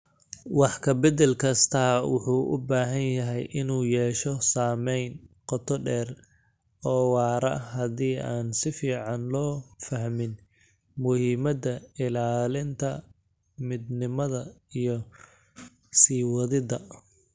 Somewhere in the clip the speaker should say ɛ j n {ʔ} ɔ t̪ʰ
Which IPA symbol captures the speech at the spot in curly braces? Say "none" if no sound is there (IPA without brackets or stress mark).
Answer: q